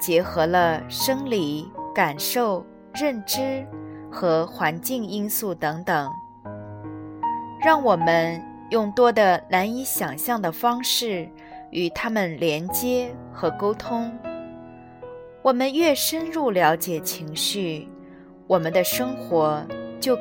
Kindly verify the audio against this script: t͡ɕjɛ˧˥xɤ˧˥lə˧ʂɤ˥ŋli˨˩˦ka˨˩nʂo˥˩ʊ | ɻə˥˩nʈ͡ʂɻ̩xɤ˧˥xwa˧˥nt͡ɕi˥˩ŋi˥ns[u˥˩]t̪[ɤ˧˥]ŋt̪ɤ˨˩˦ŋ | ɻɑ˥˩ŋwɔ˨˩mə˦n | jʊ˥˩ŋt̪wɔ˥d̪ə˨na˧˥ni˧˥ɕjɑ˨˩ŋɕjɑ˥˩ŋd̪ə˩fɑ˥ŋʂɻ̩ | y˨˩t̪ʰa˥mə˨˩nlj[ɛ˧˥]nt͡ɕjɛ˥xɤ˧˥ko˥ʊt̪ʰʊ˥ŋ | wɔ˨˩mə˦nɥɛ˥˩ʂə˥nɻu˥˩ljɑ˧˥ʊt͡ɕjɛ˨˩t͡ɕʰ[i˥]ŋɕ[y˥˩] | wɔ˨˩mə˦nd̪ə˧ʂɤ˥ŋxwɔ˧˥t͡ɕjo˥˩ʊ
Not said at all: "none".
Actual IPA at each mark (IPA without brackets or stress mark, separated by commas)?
u˥˩, ɤ˧˥, ɛ˧˥, i˧˥, y˥˩